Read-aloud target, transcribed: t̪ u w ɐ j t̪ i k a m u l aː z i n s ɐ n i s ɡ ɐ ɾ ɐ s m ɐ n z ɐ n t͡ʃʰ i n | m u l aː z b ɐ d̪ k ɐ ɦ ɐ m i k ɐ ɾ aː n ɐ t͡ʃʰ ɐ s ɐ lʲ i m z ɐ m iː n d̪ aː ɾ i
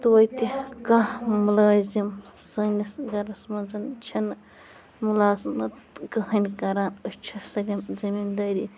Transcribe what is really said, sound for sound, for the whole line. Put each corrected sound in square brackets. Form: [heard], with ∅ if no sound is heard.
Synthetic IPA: t̪ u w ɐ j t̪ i k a m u l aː z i [m] s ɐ n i s ɡ ɐ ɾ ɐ s m ɐ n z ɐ n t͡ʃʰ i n | m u l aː z [m] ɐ [t̪] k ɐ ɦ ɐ [n] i k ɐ ɾ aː n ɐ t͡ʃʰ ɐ s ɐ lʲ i m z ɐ m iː n d̪ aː ɾ i